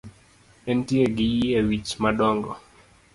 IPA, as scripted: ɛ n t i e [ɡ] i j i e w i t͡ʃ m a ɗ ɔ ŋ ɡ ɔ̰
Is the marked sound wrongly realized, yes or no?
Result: no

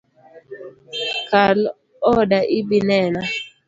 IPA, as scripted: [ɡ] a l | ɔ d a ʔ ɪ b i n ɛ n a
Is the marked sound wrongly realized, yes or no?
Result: yes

